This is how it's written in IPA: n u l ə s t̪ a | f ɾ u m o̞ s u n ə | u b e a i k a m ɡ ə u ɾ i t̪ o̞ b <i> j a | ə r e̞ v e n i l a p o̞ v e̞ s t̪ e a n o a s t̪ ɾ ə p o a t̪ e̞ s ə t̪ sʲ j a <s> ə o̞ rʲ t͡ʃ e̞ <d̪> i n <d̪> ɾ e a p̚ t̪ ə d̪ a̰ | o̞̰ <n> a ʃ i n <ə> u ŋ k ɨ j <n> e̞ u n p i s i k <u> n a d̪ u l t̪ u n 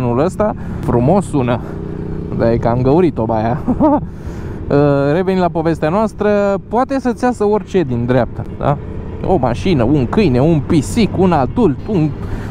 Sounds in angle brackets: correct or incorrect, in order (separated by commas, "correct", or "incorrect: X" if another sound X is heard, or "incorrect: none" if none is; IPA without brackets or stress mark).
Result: incorrect: a, correct, correct, correct, incorrect: m, correct, correct, correct